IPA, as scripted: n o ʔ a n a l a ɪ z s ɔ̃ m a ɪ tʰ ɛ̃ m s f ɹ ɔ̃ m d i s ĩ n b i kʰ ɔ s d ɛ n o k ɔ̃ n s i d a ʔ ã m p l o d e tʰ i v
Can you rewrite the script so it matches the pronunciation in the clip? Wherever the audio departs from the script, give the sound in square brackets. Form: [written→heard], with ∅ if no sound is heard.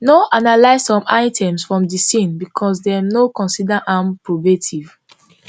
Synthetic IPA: n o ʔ a n a l a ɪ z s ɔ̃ m a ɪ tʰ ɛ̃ m s f ɹ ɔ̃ m d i s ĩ n b i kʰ ɔ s d ɛ n o k ɔ̃ n s i d a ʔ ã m p [l→ɹ] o [d→b] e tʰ i v